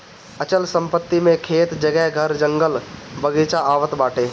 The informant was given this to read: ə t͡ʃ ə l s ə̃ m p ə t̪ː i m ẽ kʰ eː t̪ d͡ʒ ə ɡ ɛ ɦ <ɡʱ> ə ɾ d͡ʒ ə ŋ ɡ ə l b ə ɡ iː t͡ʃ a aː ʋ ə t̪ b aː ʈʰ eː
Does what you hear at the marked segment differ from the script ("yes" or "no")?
no